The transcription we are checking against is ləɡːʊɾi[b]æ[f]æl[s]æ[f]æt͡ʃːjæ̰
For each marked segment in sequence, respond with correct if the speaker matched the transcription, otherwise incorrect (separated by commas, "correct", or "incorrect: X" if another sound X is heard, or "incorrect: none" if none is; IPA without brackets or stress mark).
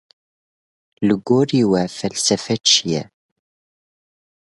incorrect: w, correct, correct, correct